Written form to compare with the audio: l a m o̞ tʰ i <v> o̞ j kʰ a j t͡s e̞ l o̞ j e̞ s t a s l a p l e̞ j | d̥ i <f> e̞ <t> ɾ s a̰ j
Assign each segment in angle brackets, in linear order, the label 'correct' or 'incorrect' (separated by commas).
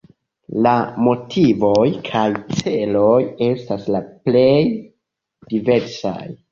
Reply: correct, incorrect, incorrect